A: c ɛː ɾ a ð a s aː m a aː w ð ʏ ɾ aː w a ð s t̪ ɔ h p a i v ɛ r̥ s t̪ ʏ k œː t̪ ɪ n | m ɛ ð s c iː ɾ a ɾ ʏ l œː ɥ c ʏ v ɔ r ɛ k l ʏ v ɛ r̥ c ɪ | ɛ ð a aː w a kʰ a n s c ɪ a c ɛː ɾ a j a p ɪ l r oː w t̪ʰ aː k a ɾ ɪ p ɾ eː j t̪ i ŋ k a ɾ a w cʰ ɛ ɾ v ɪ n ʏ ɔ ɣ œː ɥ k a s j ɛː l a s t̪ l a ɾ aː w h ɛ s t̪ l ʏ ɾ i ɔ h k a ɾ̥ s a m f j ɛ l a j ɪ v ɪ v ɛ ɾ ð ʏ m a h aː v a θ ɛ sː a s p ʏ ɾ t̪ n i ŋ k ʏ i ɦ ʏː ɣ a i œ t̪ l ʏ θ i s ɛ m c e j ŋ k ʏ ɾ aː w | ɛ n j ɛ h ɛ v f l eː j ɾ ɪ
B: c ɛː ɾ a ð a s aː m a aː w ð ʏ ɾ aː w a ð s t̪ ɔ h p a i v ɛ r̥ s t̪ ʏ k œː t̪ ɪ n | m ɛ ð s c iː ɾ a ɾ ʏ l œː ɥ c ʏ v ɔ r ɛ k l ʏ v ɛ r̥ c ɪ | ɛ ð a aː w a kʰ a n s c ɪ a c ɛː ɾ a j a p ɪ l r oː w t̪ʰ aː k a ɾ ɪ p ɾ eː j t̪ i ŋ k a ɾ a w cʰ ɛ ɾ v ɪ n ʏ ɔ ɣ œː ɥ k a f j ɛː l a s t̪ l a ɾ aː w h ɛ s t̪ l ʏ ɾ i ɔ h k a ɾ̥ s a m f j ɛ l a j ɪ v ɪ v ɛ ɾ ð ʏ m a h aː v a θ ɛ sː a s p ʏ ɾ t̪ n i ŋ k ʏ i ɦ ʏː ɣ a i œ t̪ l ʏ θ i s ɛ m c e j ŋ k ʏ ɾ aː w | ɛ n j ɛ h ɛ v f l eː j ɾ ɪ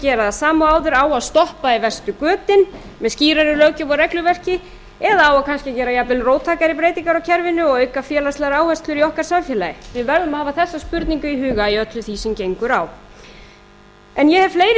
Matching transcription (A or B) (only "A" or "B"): B